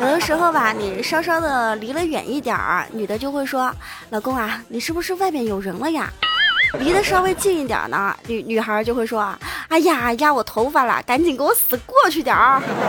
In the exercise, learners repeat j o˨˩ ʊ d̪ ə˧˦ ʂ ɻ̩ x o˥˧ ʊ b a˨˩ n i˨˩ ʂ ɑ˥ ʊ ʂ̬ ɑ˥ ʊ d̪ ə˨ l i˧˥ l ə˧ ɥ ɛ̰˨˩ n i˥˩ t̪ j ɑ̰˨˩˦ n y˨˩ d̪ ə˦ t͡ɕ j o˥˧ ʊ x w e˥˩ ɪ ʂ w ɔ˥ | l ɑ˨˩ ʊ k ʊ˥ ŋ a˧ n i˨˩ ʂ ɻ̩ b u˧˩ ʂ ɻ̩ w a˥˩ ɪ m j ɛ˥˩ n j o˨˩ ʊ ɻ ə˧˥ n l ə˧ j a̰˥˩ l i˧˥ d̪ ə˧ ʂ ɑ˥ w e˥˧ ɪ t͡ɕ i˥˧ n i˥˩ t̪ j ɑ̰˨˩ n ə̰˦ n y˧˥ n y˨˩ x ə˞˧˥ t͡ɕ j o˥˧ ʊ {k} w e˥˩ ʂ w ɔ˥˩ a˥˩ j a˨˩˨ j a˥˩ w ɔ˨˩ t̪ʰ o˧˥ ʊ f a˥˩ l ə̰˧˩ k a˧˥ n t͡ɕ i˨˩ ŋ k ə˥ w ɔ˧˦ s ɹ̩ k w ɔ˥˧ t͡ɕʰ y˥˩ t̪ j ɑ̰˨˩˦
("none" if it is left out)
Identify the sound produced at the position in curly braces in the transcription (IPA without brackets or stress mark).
x